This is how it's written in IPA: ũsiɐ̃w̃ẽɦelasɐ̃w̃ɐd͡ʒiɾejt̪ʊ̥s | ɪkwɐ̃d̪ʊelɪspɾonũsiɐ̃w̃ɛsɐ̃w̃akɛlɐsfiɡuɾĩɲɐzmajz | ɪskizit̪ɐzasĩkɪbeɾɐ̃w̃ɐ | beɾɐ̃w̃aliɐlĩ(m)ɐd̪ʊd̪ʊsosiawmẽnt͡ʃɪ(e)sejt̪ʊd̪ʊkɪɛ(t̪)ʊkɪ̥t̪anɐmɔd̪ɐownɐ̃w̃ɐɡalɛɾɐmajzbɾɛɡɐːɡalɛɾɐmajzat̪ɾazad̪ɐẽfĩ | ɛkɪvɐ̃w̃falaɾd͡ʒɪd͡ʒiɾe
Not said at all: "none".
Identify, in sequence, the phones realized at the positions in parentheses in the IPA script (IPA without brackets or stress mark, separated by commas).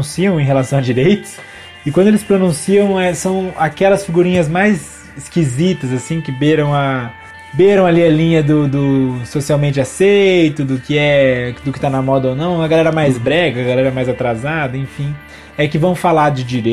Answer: ɲ, a, d̪